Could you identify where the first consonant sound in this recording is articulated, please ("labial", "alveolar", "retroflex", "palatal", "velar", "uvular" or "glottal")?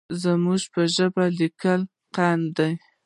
alveolar